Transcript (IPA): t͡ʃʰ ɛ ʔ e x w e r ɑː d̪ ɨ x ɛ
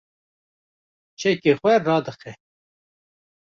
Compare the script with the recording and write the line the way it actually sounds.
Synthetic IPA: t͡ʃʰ ɛ k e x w ɛ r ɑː d̪ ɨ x ɛ